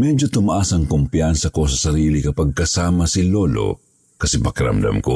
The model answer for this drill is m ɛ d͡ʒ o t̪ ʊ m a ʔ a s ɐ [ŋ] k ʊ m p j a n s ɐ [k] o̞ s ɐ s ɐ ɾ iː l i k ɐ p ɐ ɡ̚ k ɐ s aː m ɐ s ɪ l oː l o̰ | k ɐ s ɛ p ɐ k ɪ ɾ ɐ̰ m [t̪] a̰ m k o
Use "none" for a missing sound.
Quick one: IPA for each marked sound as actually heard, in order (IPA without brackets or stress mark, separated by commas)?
ŋ, k, d̪